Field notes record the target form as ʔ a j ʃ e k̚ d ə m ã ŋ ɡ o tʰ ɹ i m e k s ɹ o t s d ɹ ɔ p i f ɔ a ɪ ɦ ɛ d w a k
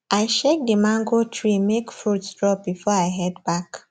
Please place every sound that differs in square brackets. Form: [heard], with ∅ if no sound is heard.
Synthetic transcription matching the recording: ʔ a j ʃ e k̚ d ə m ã ŋ ɡ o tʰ ɹ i m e k [f] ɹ [u] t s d ɹ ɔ [b] i f ɔ a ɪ ɦ ɛ d [b] a k